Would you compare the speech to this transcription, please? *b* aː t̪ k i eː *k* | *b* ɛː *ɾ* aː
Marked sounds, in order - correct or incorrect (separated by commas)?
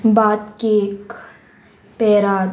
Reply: correct, correct, incorrect, correct